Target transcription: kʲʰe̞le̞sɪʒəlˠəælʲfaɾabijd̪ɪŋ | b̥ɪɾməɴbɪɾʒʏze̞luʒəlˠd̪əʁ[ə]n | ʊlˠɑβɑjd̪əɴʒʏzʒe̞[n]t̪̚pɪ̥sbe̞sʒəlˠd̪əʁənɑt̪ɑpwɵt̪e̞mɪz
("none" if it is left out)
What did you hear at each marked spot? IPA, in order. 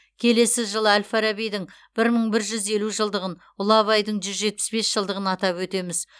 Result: ə, none

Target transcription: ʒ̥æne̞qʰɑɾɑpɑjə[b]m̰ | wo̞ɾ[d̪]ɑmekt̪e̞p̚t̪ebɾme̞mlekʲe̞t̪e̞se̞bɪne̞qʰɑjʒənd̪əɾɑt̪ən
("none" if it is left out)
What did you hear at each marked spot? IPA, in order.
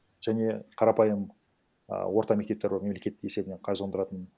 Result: none, t̪

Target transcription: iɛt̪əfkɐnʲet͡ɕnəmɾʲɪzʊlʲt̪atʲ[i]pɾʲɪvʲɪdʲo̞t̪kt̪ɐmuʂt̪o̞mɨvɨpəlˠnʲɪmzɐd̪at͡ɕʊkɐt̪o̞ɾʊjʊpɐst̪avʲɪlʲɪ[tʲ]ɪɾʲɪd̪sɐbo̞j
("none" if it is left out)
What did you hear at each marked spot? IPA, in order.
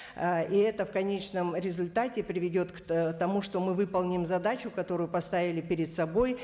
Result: ɪ, pʲ

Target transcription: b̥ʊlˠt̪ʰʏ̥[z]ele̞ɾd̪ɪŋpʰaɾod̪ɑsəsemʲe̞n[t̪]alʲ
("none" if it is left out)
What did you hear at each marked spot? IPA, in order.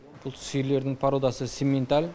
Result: s, t̪

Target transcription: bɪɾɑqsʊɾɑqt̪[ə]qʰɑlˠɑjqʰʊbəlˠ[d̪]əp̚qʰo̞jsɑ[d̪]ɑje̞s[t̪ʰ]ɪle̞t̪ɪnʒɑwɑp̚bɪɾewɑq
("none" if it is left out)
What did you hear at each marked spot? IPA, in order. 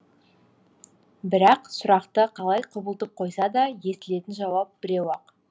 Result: ə, t̪, d̪, t̪

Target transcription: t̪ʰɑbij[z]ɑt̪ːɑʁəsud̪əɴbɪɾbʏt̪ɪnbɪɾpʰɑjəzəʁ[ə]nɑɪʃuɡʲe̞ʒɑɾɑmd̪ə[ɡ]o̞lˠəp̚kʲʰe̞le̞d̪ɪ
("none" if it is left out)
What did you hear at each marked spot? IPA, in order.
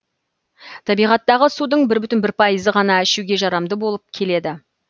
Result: ʁ, ɑ, b

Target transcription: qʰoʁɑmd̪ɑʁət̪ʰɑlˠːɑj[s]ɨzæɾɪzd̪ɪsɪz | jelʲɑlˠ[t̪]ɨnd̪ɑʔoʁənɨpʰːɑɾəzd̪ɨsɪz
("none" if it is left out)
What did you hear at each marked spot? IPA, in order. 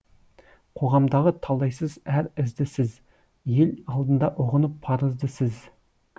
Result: s, d̪

